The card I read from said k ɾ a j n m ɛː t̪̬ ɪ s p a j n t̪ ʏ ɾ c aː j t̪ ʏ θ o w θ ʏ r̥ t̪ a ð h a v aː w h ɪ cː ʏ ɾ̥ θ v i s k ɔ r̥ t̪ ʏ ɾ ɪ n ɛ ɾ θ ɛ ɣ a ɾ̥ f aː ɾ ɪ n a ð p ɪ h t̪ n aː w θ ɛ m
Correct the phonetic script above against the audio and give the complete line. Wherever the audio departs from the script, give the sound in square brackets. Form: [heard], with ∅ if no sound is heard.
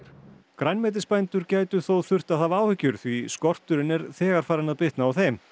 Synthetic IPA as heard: k ɾ a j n m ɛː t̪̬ ɪ s p a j n t̪ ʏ ɾ c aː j t̪ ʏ θ o w θ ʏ r̥ t̪ a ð [θ] a v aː w h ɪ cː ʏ ɾ̥ θ v i s k ɔ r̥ t̪ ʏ ɾ ɪ n ɛ ɾ θ [ɛː] ɣ a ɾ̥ f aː ɾ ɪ n a ð p ɪ h t̪ n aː w θ ɛ m

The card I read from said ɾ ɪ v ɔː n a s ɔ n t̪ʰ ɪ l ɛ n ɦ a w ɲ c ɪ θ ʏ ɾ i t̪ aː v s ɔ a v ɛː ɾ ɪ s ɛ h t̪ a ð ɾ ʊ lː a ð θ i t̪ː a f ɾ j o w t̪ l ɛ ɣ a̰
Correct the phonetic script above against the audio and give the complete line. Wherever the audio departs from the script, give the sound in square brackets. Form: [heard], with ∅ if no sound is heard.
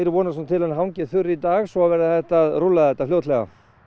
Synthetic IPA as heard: ɾ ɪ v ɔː n a s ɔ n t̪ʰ ɪ l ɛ n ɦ a w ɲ c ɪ θ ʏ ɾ i t̪ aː [ɣ] s ɔ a v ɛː ɾ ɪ [θ] ɛ h t̪ a ð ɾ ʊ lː a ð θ [ɛ] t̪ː a f [l] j o w t̪ l ɛ ɣ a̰

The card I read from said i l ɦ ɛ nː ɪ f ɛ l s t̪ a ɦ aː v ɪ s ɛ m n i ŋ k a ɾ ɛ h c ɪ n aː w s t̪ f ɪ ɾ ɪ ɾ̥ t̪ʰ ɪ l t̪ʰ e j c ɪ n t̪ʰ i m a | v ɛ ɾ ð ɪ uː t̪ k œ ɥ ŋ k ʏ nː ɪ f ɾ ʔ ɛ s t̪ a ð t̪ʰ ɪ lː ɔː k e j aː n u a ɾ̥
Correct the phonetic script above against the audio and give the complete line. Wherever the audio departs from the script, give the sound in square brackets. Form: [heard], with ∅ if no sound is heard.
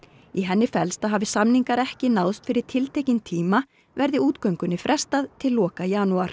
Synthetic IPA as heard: i [∅] ɦ ɛ nː ɪ f ɛ l s t̪ a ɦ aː v ɪ s [a] m n i ŋ k a ɾ ɛ h c ɪ n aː w s t̪ f ɪ ɾ ɪ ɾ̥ t̪ʰ ɪ l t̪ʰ e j c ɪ n t̪ʰ [iː] m a | v ɛ ɾ ð ɪ uː t̪ k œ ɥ ŋ k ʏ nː ɪ f ɾ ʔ ɛ s t̪ a ð t̪ʰ ɪ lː ɔː k [a] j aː n u a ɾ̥

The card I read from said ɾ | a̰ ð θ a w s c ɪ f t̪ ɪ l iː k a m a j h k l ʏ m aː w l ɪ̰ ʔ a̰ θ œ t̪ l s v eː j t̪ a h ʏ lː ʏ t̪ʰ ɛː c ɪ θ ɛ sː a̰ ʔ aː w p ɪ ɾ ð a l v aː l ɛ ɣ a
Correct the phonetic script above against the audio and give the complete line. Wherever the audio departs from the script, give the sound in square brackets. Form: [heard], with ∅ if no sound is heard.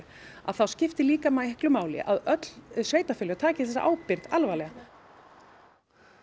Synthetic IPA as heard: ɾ | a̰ ð θ a w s c ɪ f t̪ ɪ l iː k a m a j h k l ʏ m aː w l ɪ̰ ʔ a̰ [ð] œ t̪ l s v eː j t̪ a [f] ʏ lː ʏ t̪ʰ [aː] c ɪ θ ɛ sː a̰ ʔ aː w p ɪ ɾ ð a l v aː l ɛ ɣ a

